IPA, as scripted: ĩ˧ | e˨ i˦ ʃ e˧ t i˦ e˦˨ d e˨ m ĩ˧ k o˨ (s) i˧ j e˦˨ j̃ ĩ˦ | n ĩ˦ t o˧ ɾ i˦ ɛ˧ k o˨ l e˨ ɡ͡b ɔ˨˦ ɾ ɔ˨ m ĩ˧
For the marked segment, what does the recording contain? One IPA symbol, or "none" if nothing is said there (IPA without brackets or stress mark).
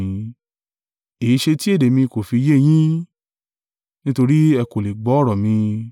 f